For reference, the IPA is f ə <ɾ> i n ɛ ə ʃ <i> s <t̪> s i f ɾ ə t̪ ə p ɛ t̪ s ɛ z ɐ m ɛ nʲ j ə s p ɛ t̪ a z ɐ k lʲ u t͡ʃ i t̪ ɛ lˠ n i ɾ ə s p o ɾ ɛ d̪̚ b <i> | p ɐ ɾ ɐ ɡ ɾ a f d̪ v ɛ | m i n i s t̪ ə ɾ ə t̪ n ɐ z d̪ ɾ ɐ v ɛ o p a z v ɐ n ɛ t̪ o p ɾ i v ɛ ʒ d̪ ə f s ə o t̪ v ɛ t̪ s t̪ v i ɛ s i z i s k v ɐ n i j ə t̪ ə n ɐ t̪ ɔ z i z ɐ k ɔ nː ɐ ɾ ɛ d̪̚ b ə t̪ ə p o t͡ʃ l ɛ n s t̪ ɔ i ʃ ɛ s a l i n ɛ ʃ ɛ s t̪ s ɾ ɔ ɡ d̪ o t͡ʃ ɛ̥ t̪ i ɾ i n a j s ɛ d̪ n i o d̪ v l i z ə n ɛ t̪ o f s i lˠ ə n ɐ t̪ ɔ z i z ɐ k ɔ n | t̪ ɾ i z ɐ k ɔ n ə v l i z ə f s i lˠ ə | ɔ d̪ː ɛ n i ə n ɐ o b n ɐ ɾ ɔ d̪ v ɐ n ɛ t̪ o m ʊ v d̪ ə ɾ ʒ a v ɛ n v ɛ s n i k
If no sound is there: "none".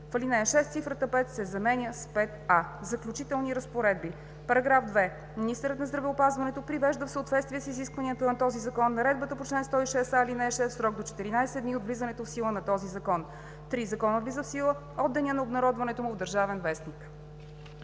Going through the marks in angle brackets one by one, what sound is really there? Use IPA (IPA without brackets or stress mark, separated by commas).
l, ɛ, t̪, i